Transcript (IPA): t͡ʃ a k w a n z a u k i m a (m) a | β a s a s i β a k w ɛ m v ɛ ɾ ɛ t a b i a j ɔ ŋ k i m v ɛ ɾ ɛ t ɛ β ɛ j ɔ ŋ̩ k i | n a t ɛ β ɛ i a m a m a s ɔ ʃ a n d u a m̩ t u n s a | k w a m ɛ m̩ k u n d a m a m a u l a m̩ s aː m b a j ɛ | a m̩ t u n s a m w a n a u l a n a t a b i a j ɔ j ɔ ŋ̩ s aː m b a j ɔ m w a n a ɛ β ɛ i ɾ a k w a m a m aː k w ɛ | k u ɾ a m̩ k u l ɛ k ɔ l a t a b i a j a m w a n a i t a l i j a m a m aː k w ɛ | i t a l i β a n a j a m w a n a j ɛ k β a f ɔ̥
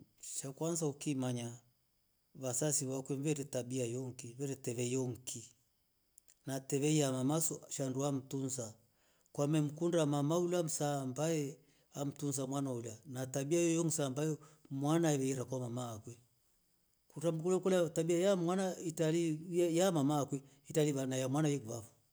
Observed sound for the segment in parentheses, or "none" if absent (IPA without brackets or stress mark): ɲ